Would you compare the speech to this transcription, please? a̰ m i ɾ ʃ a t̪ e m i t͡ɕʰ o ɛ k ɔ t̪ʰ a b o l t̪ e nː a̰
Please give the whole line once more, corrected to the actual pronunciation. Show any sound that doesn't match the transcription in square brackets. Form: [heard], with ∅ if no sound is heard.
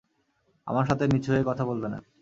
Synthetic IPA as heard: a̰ m [a] ɾ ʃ a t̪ e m i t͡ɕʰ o [e] k ɔ t̪ʰ a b o l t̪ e [n] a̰